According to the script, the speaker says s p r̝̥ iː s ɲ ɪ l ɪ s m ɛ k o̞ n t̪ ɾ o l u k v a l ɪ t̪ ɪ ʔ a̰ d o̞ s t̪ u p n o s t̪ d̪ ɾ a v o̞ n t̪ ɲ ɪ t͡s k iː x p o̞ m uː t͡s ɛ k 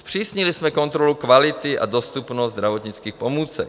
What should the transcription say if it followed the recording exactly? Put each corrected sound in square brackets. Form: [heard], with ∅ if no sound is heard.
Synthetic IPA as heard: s p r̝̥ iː s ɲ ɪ l ɪ s m ɛ k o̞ n t̪ ɾ o l u k v a l ɪ t̪ ɪ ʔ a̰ d o̞ s t̪ u p n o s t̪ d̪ ɾ a v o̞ [∅] t̪ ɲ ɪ t͡s k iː x p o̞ m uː t͡s ɛ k

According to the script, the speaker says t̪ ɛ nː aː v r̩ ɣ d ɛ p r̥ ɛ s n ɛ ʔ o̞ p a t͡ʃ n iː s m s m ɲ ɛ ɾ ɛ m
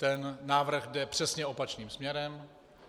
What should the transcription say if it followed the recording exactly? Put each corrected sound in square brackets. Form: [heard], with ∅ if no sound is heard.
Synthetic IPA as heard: t̪ ɛ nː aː v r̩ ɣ d ɛ p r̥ ɛ s [ɲ] ɛ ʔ o̞ p a t͡ʃ n iː [∅] m s m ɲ ɛ ɾ ɛ m

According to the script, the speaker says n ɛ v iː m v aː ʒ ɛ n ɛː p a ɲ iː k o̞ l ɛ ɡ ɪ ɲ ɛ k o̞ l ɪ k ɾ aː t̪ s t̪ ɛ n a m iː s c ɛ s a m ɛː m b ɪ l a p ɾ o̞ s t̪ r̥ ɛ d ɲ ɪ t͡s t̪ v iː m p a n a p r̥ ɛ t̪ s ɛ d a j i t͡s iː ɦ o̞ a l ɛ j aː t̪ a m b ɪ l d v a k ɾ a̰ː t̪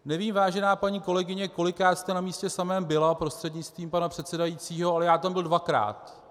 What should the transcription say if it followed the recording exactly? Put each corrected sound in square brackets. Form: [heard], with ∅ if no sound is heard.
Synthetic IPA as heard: n ɛ v iː m v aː ʒ ɛ n [aː] p a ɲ iː k o̞ l ɛ ɡ ɪ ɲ ɛ k o̞ l ɪ k ɾ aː t̪ s t̪ ɛ n a m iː s c ɛ s a m ɛː m b ɪ l a p ɾ o̞ s t̪ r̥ ɛ d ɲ ɪ t͡s t̪ v iː m p a n a p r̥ ɛ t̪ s ɛ d a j i t͡s iː ɦ o̞ a l ɛ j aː t̪ a m b ɪ l d v a k ɾ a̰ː t̪

